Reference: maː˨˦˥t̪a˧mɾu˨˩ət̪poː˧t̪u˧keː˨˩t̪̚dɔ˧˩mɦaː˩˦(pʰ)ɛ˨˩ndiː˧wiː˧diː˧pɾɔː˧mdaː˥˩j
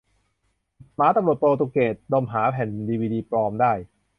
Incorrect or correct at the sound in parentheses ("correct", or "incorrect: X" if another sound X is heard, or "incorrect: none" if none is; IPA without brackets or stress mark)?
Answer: correct